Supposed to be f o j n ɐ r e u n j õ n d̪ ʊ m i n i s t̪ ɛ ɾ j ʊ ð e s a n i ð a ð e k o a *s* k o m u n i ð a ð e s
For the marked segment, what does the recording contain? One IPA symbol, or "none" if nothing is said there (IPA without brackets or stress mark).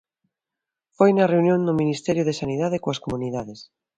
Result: s